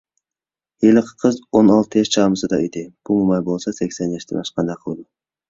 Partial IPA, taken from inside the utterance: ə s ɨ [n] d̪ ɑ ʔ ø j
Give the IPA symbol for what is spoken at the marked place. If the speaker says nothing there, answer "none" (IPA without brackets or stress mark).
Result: none